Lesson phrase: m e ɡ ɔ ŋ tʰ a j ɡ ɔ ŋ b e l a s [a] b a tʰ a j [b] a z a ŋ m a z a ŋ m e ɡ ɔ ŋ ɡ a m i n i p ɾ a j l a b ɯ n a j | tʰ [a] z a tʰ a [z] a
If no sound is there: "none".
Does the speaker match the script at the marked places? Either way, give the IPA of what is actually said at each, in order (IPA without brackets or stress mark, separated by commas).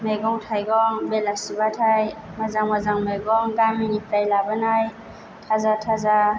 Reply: i, m, a, z